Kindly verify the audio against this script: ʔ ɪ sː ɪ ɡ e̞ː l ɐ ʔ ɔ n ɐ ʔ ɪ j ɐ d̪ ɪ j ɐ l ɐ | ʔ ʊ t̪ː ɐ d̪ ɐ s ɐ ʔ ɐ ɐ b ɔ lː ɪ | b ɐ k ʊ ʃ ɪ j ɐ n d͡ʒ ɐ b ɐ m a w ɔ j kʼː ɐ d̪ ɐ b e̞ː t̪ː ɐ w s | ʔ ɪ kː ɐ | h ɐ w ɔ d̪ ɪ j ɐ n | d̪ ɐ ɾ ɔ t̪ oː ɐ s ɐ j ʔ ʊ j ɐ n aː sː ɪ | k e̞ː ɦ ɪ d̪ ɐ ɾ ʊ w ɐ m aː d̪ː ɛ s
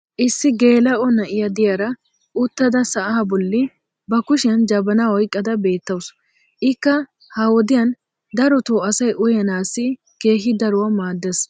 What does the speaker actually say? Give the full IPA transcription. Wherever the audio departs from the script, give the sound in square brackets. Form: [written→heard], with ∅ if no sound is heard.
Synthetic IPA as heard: ʔ ɪ sː ɪ ɡ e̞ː l ɐ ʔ ɔ n ɐ ʔ ɪ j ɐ d̪ ɪ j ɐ [l→ɾ] ɐ | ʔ ʊ t̪ː ɐ d̪ ɐ s ɐ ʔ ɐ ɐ b ɔ lː ɪ | b ɐ k ʊ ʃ ɪ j ɐ n d͡ʒ ɐ b ɐ [m→n] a w ɔ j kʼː ɐ d̪ ɐ b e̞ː t̪ː ɐ w s | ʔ ɪ kː ɐ | h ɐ w ɔ d̪ ɪ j ɐ n | d̪ ɐ ɾ ɔ t̪ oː ɐ s ɐ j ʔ ʊ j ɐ n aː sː ɪ | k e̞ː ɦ ɪ d̪ ɐ ɾ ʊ w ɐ m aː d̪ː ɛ s